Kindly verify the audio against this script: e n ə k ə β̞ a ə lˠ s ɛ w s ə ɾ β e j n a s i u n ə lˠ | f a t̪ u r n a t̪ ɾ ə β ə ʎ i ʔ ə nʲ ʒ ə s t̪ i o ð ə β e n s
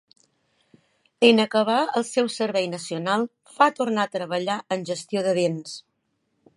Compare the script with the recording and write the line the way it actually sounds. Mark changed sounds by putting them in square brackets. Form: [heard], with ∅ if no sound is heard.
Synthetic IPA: e n ə k ə β̞ a ə lˠ s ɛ w s ə ɾ β [ɛ] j n [ə] s i u n [a] lˠ | f a t̪ u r n a t̪ ɾ ə β ə ʎ [a] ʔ ə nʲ ʒ ə s t̪ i o ð ə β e n s